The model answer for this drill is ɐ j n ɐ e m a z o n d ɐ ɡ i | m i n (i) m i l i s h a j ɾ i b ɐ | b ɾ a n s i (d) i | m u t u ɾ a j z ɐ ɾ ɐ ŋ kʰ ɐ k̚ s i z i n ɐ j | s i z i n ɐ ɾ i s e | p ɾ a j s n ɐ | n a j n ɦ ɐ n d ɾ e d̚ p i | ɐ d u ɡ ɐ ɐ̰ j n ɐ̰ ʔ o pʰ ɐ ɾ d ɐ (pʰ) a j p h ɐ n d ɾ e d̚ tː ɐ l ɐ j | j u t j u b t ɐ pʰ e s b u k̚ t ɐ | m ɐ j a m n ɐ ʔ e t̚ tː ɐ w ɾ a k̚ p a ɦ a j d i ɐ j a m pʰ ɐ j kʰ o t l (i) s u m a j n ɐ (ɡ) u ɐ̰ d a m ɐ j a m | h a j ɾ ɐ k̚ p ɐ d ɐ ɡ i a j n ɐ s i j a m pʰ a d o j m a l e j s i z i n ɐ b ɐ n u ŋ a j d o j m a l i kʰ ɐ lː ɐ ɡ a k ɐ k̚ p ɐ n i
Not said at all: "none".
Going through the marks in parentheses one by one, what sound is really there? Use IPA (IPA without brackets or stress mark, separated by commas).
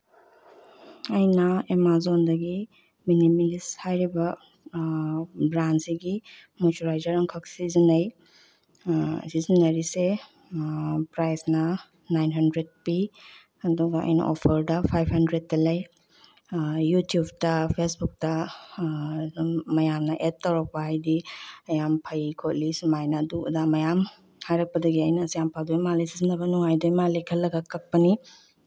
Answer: i, ɡ, pʰ, i, d